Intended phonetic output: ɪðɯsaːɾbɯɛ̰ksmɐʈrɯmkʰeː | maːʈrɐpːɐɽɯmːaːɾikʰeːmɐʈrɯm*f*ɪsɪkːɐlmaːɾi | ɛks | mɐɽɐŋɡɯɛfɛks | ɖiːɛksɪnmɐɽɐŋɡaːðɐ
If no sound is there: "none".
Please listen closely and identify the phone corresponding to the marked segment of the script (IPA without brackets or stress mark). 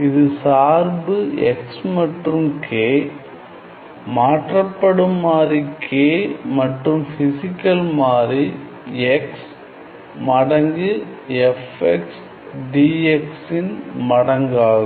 f